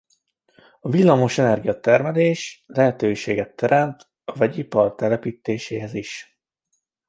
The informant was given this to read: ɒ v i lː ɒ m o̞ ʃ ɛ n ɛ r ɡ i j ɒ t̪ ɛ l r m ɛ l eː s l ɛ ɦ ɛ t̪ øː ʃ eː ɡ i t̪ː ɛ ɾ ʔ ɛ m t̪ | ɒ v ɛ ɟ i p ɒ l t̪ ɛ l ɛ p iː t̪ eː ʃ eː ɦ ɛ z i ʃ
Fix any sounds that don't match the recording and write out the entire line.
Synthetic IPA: ɒ v i lː ɒ m o̞ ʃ ɛ n ɛ r ɡ i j ɒ t̪ ɛ r m ɛ l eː ʃ l ɛ ɦ ɛ t̪ øː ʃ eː ɡ ɛ t̪ː ɛ ɾ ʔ ɛ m t̪ | ɒ v ɛ ɟ i p ɒ r t̪ ɛ l ɛ p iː t̪ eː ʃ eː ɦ ɛ z i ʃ